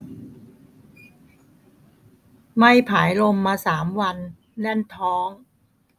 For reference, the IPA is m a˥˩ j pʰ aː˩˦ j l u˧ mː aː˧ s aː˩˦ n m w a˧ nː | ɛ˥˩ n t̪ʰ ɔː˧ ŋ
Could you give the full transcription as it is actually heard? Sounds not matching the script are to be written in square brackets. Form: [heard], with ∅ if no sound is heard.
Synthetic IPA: m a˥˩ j pʰ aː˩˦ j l [o˧] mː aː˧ s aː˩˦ [∅] m w a˧ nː | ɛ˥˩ n t̪ʰ [ɔː˦˥] ŋ

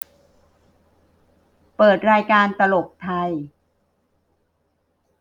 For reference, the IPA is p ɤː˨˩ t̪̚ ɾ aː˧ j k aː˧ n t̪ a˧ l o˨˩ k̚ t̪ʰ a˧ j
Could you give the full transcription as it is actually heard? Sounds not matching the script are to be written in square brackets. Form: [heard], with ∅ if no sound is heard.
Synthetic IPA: p ɤː˨˩ t̪̚ ɾ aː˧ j k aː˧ n t̪ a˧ l o˨˩ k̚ t̪ʰ a˧ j

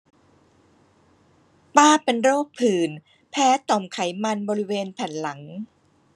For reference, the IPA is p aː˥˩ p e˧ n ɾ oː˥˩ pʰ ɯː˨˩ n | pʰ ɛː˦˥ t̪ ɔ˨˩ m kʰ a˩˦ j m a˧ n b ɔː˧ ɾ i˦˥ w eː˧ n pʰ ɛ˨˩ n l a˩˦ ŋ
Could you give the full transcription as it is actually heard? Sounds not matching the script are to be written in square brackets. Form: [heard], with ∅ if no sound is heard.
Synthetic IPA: p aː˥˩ p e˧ n ɾ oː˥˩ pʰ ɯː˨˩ n | pʰ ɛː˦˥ t̪ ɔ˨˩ m kʰ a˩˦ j m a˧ n b ɔː˧ ɾ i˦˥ w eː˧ n pʰ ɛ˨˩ n l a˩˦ ŋ

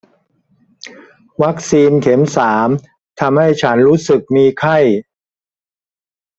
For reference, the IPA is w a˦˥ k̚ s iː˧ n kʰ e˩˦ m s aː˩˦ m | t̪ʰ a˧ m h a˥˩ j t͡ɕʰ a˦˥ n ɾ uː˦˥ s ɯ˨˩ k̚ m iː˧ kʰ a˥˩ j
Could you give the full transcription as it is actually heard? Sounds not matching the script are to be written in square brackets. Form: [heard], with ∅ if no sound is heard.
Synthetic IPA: w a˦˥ k̚ s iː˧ n kʰ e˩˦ m s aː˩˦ m | t̪ʰ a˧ m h a˥˩ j t͡ɕʰ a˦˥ n ɾ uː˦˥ s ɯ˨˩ k̚ m iː˧ kʰ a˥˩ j

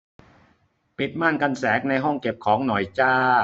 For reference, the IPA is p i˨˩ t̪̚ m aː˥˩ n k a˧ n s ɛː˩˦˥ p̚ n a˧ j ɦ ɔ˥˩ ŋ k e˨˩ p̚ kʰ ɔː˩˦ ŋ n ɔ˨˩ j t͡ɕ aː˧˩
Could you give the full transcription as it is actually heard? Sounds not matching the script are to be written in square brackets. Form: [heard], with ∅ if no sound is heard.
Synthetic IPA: p i˨˩ t̪̚ m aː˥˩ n k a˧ n s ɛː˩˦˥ [k̚] n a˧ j ɦ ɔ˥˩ ŋ k e˨˩ p̚ kʰ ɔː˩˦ ŋ n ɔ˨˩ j t͡ɕ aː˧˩

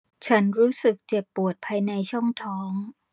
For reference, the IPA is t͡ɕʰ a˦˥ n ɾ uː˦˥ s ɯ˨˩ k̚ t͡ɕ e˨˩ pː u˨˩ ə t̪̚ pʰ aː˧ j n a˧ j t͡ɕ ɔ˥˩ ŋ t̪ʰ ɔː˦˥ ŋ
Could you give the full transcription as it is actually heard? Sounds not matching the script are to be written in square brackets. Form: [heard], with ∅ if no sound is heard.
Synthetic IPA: t͡ɕʰ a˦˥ n ɾ uː˦˥ s ɯ˨˩ k̚ t͡ɕ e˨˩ pː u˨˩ ə t̪̚ pʰ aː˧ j n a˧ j [t͡ɕʰ] ɔ˥˩ ŋ t̪ʰ ɔː˦˥ ŋ

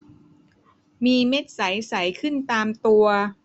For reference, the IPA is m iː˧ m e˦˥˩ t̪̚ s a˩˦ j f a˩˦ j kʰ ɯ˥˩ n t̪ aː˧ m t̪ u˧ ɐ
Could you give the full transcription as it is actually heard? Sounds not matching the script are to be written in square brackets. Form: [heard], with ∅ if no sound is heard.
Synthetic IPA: m iː˧ m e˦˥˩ t̪̚ s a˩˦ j [s] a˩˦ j kʰ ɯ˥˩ n t̪ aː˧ m t̪ u˧ ɐ

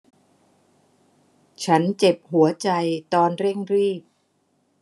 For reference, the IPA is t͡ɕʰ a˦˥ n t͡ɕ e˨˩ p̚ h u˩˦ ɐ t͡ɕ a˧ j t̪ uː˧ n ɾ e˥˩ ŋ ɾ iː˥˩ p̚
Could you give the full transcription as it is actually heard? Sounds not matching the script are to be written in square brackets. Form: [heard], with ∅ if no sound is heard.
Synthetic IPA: t͡ɕʰ a˦˥ n t͡ɕ e˨˩ p̚ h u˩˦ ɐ t͡ɕ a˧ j t̪ [ɔː˧] n ɾ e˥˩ ŋ ɾ iː˥˩ p̚

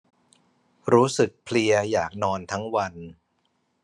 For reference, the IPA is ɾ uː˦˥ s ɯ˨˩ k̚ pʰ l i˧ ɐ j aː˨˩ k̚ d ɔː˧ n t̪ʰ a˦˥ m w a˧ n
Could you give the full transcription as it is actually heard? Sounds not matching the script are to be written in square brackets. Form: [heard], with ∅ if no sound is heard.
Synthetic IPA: ɾ uː˦˥ s ɯ˨˩ k̚ pʰ l i˧ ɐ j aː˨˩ k̚ [n] ɔː˧ n t̪ʰ a˦˥ [ŋ] w a˧ n

